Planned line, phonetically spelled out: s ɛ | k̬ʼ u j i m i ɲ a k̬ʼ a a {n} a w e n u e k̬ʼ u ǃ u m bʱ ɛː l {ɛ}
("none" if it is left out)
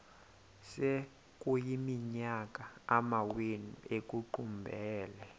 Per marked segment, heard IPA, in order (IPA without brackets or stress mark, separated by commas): m, ɛ